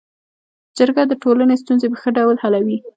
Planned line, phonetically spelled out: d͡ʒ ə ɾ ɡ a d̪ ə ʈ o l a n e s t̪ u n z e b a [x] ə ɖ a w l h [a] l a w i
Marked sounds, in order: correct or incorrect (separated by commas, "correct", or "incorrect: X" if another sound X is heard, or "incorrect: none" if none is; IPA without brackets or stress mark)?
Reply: correct, correct